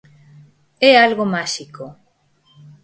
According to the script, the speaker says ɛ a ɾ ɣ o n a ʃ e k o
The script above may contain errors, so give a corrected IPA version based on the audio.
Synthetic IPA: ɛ a l ɣ o m a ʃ i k o